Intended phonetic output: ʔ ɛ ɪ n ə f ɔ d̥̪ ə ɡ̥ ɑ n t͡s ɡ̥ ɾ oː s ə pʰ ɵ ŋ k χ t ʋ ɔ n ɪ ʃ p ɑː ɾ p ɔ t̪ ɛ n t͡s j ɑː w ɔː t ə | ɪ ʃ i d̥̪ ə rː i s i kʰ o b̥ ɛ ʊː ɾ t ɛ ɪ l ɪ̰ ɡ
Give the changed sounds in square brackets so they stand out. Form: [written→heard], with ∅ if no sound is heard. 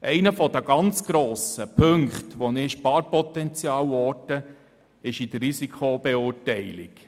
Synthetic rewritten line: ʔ ɛ ɪ n ə f ɔ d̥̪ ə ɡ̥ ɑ n t͡s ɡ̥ ɾ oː s ə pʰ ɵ ŋ k χ t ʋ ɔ n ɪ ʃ p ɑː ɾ p ɔ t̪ ɛ n t͡s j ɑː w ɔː t ə | ɪ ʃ i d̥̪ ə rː i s i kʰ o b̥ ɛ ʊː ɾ t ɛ ɪ l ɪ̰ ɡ